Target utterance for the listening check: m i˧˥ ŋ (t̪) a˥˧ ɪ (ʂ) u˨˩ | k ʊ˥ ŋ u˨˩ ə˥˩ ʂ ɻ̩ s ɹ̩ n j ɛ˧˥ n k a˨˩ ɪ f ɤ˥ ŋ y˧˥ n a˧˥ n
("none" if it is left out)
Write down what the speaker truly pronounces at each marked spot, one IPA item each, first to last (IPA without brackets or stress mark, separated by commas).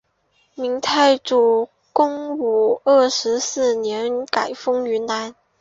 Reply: t̪ʰ, ʈ͡ʂ